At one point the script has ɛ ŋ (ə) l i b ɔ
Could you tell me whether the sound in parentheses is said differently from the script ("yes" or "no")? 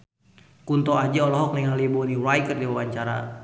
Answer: yes